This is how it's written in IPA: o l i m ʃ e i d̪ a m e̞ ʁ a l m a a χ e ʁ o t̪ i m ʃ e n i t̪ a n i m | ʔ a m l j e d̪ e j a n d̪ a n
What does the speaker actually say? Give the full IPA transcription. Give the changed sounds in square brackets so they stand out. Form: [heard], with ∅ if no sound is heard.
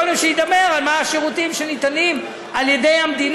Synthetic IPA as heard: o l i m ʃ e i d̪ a m e̞ ʁ a l m a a [ʃ] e ʁ [u] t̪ i m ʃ e n i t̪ a n i m | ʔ a [∅] l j e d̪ e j a [m] d̪ [i] n